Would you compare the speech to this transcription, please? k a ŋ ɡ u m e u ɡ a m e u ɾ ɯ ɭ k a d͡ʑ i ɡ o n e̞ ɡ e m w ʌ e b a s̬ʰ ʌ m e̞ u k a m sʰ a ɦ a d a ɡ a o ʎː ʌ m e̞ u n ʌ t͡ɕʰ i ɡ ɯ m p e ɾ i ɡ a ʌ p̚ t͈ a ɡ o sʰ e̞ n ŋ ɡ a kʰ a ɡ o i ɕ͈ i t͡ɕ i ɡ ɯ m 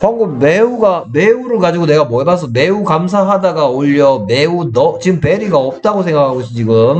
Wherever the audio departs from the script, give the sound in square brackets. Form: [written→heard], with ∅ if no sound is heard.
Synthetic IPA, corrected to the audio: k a ŋ ɡ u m e u ɡ a m e u ɾ ɯ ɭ k a d͡ʑ i ɡ o n e̞ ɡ [e→a] m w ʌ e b a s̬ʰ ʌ m e̞ u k a m sʰ a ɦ a d a ɡ a o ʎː ʌ m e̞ u n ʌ [t͡ɕʰ→t͡ɕ] i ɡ ɯ m p e ɾ i ɡ a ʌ p̚ t͈ a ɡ o sʰ e̞ [n→∅] ŋ ɡ a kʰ a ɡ o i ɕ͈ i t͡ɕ i ɡ ɯ m